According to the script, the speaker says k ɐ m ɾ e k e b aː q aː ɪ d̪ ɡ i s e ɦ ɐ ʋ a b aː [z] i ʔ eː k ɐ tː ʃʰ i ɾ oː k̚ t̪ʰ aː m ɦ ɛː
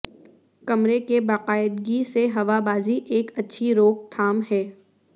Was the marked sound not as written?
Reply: no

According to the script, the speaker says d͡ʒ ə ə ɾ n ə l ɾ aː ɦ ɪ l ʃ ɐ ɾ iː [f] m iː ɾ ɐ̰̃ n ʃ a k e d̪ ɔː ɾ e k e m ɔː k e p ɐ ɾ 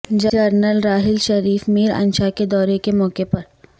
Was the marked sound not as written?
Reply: no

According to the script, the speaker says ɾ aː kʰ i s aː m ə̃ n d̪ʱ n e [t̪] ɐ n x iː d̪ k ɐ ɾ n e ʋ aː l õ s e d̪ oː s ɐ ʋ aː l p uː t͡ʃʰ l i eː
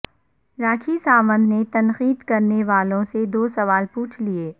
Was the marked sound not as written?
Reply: no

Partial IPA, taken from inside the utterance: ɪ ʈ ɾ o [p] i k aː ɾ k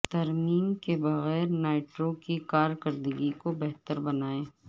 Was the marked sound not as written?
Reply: yes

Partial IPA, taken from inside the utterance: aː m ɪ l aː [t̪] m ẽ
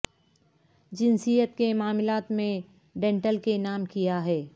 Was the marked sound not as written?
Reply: no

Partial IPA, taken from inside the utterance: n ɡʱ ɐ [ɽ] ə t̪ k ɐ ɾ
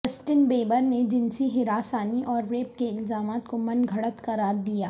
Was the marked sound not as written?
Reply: no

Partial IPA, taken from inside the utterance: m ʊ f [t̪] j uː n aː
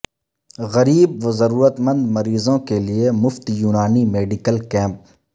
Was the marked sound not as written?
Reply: no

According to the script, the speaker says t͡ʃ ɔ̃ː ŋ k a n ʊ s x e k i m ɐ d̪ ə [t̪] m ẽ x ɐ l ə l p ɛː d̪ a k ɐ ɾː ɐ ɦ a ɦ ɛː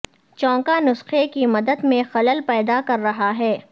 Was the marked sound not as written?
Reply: yes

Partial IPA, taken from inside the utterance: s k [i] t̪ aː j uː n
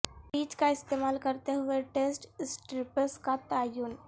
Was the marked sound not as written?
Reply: yes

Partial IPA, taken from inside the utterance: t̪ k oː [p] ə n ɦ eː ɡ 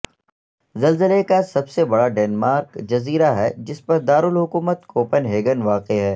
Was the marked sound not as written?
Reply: no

